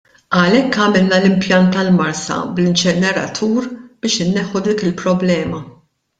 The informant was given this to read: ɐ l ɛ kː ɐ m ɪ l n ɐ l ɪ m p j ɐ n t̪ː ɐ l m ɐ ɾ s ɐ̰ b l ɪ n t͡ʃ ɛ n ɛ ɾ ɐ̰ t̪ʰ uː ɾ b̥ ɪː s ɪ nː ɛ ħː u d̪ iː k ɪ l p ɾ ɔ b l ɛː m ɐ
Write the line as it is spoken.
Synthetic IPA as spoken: ɐ l ɛ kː ɐ m ɪ l n ɐ l ɪ m p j ɐ n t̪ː ɐ l m ɐ ɾ s ɐ̰ b l ɪ n t͡ʃ ɛ n ɛ ɾ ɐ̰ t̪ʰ uː ɾ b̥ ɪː ʃ ɪ nː ɛ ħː u d̪ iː k ɪ l p ɾ ɔ b l ɛː m ɐ